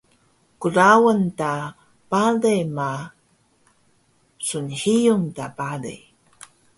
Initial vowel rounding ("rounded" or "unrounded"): rounded